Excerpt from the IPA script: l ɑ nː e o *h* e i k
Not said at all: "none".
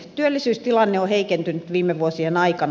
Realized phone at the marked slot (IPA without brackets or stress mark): h